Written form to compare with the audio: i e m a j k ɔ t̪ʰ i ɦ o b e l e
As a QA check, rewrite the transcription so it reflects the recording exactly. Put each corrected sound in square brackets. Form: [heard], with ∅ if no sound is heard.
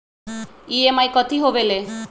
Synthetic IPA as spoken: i e m a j k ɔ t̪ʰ i ɦ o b e l e